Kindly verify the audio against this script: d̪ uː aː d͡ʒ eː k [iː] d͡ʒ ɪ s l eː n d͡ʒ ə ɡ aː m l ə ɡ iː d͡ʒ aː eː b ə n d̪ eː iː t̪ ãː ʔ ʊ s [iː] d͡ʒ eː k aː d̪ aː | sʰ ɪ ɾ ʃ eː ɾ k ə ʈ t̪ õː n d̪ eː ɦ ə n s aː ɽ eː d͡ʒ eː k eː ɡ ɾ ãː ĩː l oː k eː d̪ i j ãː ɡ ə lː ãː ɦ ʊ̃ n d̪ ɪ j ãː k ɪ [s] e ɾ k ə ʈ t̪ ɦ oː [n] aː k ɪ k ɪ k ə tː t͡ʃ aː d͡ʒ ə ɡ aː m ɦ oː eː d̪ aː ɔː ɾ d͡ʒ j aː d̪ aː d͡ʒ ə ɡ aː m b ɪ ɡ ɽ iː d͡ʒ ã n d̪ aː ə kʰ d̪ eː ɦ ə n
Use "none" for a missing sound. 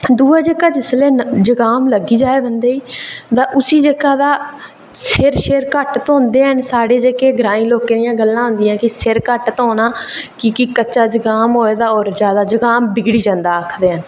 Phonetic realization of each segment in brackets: aː, iː, s, n

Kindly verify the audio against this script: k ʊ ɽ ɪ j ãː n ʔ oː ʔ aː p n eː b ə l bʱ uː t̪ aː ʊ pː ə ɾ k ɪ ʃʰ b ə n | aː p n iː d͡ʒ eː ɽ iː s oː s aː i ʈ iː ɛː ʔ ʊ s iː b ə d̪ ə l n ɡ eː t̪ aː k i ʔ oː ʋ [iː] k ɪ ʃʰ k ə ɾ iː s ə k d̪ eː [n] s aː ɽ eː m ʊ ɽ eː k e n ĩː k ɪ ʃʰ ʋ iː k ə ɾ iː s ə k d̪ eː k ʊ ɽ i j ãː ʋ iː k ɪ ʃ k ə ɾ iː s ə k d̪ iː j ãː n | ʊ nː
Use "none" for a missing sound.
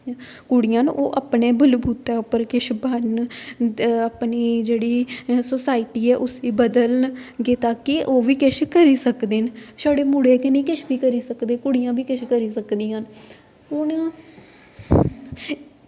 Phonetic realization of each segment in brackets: iː, n

